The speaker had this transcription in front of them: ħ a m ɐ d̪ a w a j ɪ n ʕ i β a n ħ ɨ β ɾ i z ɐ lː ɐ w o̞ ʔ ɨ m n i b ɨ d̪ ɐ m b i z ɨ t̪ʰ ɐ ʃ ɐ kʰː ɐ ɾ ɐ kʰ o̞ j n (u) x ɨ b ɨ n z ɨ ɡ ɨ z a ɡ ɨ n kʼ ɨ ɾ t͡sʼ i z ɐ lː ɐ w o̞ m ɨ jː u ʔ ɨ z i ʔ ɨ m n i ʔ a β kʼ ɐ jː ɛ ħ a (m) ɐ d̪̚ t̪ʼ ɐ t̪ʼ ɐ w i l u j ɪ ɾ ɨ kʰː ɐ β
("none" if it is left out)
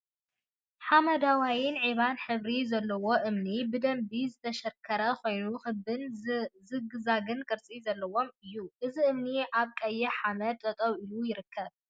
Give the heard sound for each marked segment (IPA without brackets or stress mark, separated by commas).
u, m